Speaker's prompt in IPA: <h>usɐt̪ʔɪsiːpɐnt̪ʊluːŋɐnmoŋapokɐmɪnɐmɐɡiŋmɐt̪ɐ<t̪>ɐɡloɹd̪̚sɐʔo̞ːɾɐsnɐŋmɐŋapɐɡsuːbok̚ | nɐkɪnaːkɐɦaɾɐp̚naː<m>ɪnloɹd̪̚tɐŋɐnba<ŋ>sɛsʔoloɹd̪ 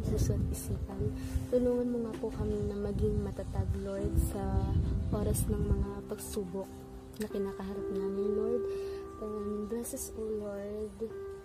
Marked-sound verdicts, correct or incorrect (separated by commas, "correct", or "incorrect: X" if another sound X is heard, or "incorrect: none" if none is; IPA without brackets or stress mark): incorrect: s, correct, correct, incorrect: none